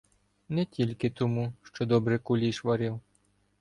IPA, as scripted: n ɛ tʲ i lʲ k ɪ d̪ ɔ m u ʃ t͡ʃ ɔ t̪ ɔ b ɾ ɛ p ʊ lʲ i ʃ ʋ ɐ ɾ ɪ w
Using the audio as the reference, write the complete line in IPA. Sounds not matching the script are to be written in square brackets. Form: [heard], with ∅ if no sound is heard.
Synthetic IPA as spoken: n ɛ tʲ i lʲ k ɪ [t̪] ɔ m u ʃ t͡ʃ ɔ [d̪] ɔ b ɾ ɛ [k] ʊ lʲ i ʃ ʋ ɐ ɾ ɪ w

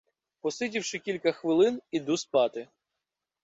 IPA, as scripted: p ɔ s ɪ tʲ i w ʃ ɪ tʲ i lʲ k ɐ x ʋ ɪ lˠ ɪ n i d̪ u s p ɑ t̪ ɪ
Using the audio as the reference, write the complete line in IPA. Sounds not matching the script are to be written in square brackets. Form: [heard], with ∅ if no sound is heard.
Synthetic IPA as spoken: p ɔ s ɪ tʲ i w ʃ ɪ [kʲ] i lʲ k ɐ x ʋ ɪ lˠ ɪ n i d̪ u s p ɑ t̪ ɪ

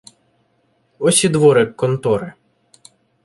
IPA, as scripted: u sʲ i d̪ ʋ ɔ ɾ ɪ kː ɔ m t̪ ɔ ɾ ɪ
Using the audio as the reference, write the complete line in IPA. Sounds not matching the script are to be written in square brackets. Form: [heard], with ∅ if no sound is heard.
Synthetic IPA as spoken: [ɔ] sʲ i d̪ ʋ ɔ ɾ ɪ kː ɔ [n] t̪ ɔ ɾ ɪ

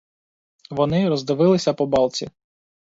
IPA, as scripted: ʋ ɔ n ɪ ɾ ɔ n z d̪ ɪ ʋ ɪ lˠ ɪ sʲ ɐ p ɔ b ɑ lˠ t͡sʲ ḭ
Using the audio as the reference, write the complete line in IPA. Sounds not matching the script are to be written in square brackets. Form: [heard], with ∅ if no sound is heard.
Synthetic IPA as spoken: ʋ ɔ n ɪ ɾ ɔ [∅] z d̪ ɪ ʋ ɪ lˠ ɪ sʲ ɐ p ɔ b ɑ lˠ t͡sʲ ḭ

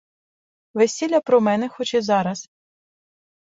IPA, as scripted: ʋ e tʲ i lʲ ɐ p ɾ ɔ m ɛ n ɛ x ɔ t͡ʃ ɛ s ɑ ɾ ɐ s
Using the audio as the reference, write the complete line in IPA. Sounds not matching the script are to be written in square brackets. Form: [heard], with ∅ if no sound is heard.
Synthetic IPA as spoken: ʋ e [sʲ] i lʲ ɐ p ɾ ɔ m ɛ n ɛ x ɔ t͡ʃ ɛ [z] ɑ ɾ ɐ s

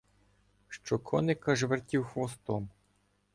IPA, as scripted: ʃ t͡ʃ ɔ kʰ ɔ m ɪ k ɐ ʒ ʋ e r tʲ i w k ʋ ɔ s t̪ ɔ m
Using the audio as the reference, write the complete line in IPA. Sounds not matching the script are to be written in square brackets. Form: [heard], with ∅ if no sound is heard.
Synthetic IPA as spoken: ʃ t͡ʃ ɔ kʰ ɔ [n] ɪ k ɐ ʒ ʋ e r tʲ i w [x] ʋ ɔ s t̪ ɔ m

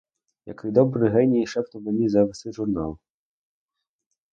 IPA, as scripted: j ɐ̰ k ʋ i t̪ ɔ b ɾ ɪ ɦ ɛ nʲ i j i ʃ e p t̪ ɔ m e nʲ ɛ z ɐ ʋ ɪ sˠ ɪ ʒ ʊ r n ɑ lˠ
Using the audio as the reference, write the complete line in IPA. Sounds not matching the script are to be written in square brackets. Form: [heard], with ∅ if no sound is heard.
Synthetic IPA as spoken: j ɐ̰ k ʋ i [d̪] ɔ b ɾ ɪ ɦ ɛ nʲ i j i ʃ [ɛ] p t̪ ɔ m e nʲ [i] z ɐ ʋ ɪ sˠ ɪ ʒ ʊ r n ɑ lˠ

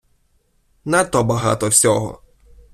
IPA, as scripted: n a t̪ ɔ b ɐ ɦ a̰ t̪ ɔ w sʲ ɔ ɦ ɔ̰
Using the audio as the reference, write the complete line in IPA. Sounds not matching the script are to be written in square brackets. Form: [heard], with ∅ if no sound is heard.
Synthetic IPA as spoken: n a t̪ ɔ b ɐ ɦ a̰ t̪ ɔ w sʲ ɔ ɦ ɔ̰

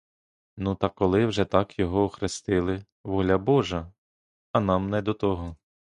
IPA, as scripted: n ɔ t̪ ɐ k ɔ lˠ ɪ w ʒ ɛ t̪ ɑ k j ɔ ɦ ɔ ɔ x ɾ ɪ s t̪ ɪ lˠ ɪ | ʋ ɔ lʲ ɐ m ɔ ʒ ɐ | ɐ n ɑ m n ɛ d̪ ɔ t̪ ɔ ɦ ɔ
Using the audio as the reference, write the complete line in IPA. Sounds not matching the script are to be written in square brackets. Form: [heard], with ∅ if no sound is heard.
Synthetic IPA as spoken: n [u] t̪ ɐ k ɔ lˠ ɪ w ʒ ɛ t̪ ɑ k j ɔ ɦ ɔ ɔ x ɾ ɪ s t̪ ɪ lˠ ɪ | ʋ ɔ lʲ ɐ [b] ɔ ʒ ɐ | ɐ n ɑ m n ɛ d̪ ɔ t̪ ɔ ɦ ɔ

